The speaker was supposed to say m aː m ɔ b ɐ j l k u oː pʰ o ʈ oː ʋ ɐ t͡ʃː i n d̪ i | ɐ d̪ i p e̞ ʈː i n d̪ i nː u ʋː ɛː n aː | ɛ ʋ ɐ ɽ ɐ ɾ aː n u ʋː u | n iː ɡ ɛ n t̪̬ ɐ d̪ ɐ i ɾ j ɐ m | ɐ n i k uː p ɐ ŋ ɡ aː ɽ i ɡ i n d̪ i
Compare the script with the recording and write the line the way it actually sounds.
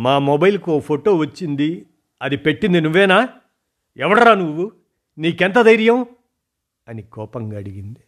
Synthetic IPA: m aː m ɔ b ɐ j l k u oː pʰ o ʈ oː ʋ ɐ t͡ʃː i n d̪ i | ɐ d̪ i p e̞ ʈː i n d̪ i n u ʋː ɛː n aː | ɛ ʋ ɐ ɽ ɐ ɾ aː n u ʋː u | n iː k ɛ n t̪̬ ɐ d̪ ɐ j ɾ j ɐ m | ɐ n i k ɔː p ɐ ŋ ɡ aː ɽ i ɡ i n d̪ i